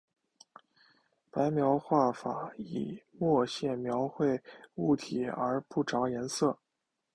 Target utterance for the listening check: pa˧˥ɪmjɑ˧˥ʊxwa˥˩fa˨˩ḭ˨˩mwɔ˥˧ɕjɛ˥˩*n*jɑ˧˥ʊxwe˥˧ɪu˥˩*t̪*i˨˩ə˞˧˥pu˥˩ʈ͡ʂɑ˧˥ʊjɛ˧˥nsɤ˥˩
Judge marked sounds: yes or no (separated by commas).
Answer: no, no